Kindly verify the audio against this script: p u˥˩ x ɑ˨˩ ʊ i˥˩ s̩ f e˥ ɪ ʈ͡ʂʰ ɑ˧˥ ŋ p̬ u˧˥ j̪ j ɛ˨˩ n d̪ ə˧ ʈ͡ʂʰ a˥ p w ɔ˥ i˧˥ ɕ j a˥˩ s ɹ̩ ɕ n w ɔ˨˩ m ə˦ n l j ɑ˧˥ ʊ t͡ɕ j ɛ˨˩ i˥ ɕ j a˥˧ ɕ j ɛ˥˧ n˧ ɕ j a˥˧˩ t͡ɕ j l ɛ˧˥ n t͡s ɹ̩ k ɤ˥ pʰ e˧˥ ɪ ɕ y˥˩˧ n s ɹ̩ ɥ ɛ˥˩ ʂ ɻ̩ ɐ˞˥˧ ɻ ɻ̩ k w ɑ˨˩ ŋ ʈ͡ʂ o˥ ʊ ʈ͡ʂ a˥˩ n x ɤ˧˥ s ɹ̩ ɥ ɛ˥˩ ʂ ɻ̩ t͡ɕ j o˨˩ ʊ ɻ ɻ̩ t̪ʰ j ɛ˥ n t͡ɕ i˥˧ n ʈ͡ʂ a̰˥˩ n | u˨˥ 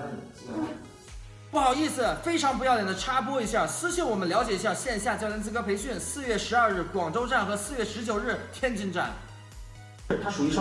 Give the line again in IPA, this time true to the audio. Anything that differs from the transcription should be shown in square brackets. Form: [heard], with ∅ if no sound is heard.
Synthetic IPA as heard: p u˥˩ x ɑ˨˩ ʊ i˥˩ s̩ f e˥ ɪ ʈ͡ʂʰ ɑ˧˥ ŋ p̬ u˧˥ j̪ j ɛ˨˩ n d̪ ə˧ ʈ͡ʂʰ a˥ p w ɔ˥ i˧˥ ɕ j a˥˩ s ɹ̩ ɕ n w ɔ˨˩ m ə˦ n l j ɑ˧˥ ʊ t͡ɕ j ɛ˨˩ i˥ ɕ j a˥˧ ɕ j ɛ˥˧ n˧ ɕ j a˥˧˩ t͡ɕ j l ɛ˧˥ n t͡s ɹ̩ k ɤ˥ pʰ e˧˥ ɪ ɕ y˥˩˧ n s ɹ̩ ɥ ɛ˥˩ ʂ ɻ̩ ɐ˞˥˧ ɻ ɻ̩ k w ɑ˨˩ ŋ ʈ͡ʂ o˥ ʊ ʈ͡ʂ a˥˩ n x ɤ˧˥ s ɹ̩ ɥ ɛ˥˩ ʂ ɻ̩ t͡ɕ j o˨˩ ʊ ɻ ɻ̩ t̪ʰ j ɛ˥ n t͡ɕ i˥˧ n ʈ͡ʂ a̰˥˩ n | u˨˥